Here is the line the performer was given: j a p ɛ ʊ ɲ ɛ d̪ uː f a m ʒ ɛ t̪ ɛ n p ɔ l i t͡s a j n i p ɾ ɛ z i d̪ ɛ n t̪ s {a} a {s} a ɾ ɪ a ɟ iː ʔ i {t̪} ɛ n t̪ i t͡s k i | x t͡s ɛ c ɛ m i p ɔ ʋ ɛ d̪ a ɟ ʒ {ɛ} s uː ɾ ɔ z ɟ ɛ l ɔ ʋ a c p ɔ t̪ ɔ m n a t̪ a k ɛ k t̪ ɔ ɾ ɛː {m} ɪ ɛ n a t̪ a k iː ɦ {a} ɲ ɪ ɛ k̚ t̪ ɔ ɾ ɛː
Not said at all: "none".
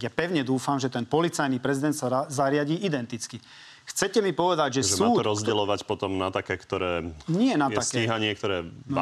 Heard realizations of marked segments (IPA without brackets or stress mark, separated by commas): a, z, d̪, ɛ, ɲ, a